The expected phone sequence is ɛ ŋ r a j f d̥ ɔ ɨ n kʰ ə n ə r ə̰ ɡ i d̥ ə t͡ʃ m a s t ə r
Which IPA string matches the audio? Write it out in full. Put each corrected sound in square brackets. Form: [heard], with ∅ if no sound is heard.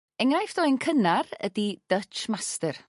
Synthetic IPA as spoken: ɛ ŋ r a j f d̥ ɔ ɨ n kʰ ə n [a] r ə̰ [d] i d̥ ə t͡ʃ m a s t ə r